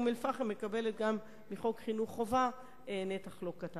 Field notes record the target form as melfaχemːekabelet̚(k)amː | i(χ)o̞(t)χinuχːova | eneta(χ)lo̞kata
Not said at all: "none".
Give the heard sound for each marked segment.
ɡ, χ, k, χ

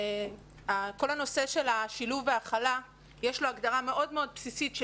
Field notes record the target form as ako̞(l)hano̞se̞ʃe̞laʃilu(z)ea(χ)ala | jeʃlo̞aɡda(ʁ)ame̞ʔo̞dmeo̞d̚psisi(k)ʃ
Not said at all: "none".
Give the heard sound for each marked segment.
l, v, χ, ʁ, t

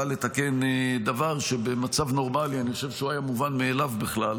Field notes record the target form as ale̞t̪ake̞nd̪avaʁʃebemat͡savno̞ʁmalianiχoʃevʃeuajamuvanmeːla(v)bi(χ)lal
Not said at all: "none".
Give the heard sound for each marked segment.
v, χ

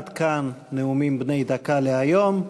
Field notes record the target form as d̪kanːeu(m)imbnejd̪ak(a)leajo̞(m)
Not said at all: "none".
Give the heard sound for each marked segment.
m, a, m

